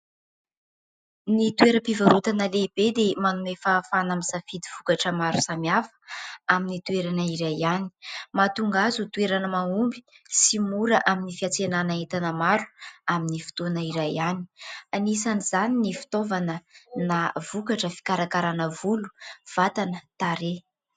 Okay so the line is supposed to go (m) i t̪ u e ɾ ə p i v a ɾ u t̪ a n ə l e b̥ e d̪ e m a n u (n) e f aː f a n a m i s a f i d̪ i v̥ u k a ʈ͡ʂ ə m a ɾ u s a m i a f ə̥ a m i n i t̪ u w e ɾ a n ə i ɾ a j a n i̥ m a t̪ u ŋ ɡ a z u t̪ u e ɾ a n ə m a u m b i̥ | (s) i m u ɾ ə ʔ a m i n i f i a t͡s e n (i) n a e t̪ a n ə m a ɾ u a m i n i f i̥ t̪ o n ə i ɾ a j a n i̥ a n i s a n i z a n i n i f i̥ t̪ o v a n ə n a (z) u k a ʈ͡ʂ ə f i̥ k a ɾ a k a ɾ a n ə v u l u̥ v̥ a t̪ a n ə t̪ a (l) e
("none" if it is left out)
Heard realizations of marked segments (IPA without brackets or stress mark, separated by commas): n, m, s, a, v, ɾ